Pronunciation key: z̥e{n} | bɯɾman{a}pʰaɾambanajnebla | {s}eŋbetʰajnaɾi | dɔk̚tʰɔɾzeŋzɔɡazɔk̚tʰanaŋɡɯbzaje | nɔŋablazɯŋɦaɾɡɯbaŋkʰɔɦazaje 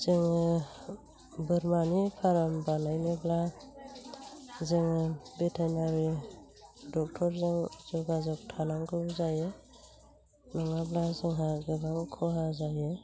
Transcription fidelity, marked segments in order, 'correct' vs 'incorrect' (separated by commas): incorrect, incorrect, incorrect